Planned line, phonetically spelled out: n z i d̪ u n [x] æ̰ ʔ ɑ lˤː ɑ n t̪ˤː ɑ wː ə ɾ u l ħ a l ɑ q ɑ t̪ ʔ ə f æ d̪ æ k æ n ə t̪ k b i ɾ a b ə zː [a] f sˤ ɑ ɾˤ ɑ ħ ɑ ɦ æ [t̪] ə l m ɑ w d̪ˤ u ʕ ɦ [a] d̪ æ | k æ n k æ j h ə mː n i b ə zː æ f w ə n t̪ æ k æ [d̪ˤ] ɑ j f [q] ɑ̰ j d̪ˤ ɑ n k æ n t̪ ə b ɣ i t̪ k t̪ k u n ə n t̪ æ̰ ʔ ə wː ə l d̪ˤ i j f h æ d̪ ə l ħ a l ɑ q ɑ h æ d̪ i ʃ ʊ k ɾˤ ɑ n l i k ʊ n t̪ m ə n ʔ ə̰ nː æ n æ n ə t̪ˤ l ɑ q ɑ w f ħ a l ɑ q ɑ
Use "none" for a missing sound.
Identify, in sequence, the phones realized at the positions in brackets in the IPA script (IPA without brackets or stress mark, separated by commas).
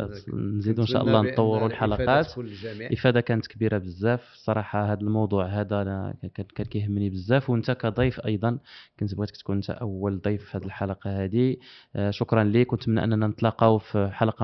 ʃ, æ, d̪, æ, d̪ˤ, ʔ